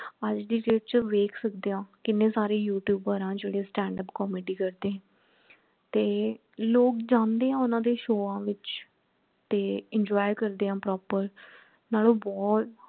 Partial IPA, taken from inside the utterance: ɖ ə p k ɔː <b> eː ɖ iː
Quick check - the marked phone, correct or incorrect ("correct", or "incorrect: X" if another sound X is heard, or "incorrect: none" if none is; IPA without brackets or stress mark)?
incorrect: m